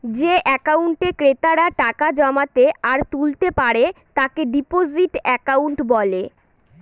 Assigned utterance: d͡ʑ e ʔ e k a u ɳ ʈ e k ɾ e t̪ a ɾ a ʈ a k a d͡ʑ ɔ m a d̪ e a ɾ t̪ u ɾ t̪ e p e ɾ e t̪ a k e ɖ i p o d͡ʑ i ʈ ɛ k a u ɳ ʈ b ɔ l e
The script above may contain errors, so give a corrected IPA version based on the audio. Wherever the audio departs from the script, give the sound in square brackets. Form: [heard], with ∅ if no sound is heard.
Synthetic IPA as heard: d͡ʑ e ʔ [ɛ] k a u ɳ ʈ e k ɾ e t̪ a ɾ a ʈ a k a d͡ʑ ɔ m a [t̪] e a ɾ t̪ u [l] t̪ e p [a] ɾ e t̪ a k e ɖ i p o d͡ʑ i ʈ ɛ k a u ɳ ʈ b ɔ l e